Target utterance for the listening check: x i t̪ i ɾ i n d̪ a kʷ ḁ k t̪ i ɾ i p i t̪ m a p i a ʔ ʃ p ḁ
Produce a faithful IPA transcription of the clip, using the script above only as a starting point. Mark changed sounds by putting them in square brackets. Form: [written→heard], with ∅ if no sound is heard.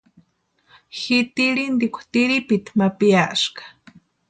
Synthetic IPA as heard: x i t̪ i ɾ i n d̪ [a→i] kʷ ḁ [k→∅] t̪ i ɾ i p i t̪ m a p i a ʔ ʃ [p→k] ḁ